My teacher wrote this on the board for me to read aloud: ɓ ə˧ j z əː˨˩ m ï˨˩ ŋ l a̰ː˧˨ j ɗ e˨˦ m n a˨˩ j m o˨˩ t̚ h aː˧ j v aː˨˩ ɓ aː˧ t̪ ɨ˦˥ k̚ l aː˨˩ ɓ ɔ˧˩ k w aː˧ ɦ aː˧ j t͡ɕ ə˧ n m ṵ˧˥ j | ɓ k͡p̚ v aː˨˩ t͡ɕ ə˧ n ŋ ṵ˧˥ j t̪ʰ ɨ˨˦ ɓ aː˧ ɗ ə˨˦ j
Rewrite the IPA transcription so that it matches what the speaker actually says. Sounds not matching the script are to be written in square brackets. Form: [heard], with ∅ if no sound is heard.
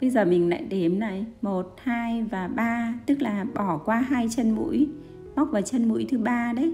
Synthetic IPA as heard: ɓ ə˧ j z əː˨˩ m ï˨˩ ŋ l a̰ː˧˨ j ɗ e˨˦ m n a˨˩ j m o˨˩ t̚ h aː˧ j v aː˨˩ ɓ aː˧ t̪ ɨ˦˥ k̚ l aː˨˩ ɓ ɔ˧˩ k w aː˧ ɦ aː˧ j t͡ɕ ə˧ n m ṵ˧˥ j | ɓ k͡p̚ v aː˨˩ t͡ɕ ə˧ n [m] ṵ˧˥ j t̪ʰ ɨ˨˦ ɓ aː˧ ɗ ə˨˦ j